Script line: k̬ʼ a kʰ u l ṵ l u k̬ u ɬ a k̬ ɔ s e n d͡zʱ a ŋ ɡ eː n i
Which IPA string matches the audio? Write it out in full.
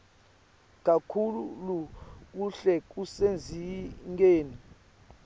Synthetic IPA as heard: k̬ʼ a kʰ u l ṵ l u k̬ u ɬ ɛ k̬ u s e n d͡zʱ i ŋ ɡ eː n i